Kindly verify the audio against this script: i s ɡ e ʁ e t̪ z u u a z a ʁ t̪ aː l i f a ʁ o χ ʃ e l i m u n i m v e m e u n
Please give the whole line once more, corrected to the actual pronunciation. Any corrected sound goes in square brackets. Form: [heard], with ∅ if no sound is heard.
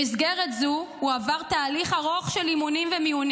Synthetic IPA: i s ɡ e ʁ e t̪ z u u a [v] a ʁ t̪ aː l i [χ] a ʁ o χ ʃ e l i m u n i m v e m [i] u n